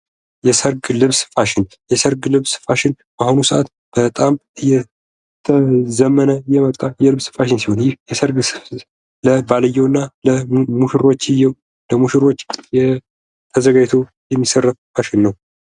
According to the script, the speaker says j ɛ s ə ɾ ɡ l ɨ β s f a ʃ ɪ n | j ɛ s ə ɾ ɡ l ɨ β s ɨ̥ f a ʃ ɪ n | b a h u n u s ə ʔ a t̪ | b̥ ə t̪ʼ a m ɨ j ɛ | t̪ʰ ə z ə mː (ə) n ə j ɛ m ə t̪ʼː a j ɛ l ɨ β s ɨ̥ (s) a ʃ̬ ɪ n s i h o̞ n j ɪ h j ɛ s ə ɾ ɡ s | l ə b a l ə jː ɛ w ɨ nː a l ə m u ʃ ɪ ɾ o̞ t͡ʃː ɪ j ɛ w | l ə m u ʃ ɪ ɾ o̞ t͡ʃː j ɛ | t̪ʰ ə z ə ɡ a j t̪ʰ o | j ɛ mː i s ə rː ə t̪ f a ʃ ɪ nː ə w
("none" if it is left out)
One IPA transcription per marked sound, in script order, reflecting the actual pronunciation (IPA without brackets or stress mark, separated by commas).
ə, f